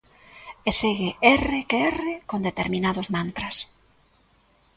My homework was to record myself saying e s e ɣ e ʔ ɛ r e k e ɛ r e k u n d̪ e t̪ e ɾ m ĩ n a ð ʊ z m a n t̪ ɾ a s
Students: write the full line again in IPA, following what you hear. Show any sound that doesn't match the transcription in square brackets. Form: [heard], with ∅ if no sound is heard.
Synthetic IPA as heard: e s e ɣ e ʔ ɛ r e k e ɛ r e k [o] n d̪ e t̪ e ɾ m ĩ n a ð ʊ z m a n t̪ ɾ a s